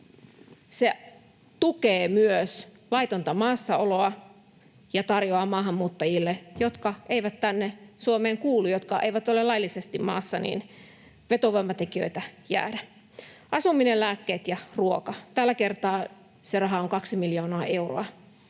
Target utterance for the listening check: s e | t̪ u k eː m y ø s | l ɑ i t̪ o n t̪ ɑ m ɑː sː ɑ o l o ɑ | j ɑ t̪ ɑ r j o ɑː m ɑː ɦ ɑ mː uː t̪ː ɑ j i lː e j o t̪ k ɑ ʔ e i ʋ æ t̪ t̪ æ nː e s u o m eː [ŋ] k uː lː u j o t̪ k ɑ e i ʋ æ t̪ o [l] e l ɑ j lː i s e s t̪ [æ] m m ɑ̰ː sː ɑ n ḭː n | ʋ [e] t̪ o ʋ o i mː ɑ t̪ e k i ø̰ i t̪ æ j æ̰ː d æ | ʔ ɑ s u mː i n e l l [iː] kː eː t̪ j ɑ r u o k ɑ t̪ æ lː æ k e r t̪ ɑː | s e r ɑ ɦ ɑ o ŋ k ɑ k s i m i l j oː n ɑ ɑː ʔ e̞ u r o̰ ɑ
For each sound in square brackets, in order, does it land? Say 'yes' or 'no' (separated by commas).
yes, yes, no, yes, no